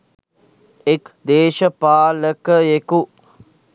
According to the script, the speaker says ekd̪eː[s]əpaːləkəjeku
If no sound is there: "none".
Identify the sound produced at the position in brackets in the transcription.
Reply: ʃ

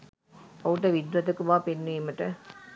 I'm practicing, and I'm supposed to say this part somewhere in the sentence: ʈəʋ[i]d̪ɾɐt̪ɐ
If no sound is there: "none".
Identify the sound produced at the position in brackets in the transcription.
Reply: i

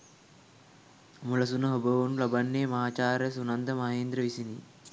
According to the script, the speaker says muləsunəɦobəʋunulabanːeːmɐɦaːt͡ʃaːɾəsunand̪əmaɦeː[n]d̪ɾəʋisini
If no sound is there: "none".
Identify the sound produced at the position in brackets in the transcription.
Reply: n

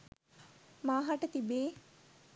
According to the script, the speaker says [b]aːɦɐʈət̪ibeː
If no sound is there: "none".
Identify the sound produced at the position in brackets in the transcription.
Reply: m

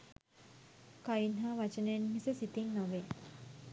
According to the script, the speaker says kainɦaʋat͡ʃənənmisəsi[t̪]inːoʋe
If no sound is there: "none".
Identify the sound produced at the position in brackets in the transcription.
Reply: t̪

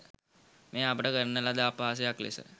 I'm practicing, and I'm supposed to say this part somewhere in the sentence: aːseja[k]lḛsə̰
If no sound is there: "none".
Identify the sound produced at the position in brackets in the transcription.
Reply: k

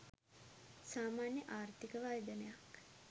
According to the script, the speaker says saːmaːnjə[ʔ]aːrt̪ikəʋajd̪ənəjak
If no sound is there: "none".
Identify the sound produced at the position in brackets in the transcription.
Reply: ʔ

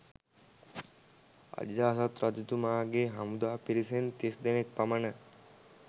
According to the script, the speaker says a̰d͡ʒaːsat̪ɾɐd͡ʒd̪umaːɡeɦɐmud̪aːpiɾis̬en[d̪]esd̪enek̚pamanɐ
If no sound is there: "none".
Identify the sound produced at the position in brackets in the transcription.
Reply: t̪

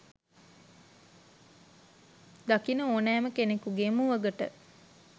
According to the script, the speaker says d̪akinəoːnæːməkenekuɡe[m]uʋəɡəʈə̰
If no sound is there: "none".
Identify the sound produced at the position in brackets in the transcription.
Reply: m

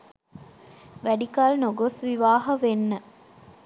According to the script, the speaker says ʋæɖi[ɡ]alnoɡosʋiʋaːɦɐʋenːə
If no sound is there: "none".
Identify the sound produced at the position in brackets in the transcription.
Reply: k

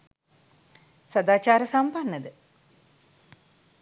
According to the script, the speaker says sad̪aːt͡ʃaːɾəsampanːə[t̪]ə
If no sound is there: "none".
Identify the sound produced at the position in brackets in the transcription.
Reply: d̪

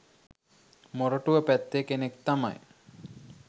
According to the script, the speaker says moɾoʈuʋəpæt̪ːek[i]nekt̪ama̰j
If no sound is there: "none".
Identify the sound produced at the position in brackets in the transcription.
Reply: e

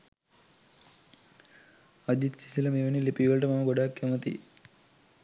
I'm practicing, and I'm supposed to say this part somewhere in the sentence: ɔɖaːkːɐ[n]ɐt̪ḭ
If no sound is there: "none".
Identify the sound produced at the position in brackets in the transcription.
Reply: m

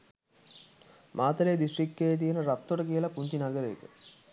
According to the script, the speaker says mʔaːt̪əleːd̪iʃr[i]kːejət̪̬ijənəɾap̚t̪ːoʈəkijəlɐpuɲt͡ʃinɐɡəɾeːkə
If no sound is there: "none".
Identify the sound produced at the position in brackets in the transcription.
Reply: i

